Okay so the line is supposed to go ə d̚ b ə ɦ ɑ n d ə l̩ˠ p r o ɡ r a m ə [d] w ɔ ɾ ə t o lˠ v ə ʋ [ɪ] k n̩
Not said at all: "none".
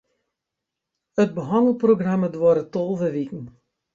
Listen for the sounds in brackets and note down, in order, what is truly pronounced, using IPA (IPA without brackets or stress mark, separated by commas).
d, i